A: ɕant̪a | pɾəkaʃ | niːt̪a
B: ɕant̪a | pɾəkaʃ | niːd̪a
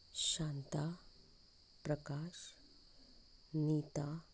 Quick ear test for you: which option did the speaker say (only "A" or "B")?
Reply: A